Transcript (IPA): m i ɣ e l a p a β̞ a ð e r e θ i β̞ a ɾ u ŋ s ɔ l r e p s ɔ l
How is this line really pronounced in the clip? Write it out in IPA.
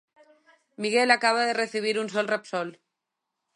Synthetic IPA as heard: m i ɣ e l a k a β̞ a ð e r e θ i β̞ i ɾ u n s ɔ l r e p s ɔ l